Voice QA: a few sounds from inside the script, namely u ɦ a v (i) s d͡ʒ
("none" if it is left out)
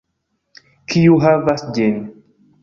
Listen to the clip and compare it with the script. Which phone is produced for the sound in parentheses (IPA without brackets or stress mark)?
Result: a